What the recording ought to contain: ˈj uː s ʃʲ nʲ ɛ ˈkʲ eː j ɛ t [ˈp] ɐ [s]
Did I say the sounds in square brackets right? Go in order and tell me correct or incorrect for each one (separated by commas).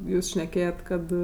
incorrect, incorrect